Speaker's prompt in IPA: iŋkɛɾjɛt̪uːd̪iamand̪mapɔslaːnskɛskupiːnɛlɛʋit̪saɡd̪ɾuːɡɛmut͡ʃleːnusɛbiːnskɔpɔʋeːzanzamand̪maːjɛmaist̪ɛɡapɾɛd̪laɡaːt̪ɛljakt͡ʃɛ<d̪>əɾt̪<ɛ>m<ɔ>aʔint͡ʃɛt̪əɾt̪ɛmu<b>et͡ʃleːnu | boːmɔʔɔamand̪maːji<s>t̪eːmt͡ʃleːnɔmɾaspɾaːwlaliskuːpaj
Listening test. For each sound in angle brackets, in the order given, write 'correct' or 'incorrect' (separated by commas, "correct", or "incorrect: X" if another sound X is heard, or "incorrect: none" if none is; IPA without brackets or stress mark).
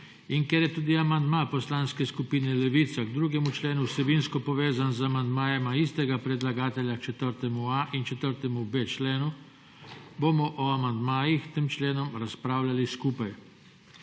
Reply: incorrect: t̪, correct, incorrect: u, correct, incorrect: x